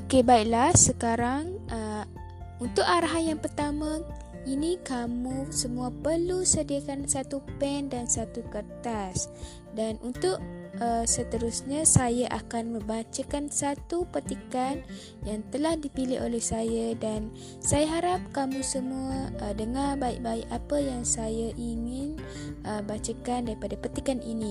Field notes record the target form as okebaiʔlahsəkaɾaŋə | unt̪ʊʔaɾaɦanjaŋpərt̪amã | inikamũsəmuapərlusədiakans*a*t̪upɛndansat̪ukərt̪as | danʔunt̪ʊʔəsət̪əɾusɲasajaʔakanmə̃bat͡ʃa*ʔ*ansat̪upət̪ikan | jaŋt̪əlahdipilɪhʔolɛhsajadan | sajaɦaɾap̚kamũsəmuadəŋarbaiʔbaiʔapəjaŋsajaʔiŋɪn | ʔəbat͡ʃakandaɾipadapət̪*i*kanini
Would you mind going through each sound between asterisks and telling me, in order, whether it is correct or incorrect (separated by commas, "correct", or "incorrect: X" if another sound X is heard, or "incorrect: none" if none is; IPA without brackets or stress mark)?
correct, incorrect: k, correct